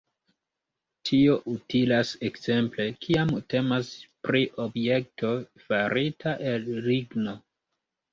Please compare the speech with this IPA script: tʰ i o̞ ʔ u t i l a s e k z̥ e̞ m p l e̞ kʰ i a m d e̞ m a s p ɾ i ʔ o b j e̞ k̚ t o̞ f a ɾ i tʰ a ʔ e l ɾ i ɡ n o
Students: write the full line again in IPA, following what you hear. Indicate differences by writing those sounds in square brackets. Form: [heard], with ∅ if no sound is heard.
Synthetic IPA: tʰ i o̞ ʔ u t i l a s e k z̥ e̞ m p l e̞ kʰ i a m [t] e̞ m a s p ɾ i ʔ o b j e̞ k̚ t o̞ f a ɾ i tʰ a ʔ e l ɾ i ɡ n o